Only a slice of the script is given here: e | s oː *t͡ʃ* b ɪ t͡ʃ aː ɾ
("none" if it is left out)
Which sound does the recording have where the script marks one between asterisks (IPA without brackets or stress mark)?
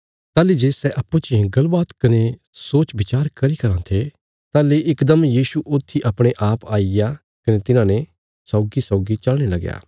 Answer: t͡ʃ